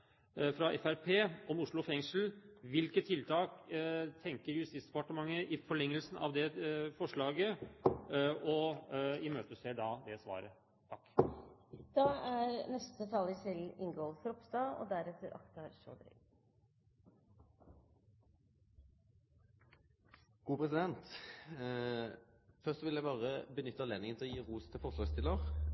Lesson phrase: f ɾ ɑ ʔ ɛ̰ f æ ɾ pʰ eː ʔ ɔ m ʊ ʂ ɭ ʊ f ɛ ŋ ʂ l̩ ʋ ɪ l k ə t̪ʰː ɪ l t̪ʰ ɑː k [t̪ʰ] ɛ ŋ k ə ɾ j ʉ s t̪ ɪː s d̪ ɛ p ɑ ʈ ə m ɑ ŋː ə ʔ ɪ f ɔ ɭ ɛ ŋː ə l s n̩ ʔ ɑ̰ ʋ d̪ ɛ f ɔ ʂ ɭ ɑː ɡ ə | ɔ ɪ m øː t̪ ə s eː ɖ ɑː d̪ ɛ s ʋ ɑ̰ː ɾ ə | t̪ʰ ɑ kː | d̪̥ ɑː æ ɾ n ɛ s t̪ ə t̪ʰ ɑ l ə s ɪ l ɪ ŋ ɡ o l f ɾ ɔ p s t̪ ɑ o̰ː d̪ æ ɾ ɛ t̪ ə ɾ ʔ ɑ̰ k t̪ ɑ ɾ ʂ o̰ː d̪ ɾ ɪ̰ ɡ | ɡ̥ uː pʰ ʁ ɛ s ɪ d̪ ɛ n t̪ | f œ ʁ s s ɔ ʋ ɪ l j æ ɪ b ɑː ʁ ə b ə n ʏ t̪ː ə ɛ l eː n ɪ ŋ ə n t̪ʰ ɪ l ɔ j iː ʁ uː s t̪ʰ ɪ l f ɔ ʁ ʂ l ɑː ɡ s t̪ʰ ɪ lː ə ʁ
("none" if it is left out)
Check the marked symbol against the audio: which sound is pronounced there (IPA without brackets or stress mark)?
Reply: t̪ʰ